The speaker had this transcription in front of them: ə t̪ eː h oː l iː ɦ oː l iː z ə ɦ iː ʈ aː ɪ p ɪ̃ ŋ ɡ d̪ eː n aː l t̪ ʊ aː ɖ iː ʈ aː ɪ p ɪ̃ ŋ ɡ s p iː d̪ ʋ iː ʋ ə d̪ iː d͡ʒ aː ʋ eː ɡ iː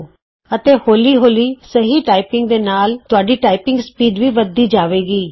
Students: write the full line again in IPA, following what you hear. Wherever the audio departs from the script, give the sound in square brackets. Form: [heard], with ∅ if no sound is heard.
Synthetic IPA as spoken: ə t̪ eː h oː l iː ɦ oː l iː [s] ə ɦ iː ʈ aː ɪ p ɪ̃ ŋ ɡ d̪ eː n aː l t̪ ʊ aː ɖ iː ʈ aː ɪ p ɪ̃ ŋ ɡ s p iː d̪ ʋ iː ʋ ə d̪ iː d͡ʒ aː ʋ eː ɡ iː